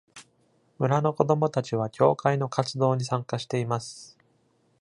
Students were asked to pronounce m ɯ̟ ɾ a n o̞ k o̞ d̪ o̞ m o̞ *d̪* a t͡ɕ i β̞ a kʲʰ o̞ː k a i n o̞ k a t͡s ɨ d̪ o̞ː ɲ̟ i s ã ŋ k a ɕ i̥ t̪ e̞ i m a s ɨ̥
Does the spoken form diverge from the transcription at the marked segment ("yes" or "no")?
yes